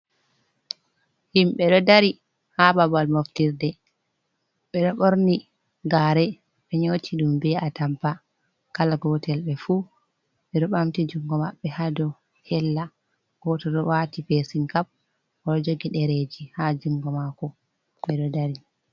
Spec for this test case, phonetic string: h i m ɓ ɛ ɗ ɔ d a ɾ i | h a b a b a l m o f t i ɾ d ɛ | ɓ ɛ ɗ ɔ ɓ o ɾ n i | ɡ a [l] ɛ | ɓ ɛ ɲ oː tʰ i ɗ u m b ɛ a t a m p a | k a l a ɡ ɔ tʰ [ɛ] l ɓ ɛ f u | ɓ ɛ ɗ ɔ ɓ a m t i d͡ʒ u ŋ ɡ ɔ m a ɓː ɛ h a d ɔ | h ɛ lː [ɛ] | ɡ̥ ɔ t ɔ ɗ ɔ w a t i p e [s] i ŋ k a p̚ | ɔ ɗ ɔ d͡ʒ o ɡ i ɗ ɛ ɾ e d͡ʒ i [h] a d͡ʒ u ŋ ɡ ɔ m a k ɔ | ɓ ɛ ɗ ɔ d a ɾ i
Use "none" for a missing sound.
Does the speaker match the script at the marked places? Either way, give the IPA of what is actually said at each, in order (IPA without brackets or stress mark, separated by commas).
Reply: ɾ, ɛ, a, s, h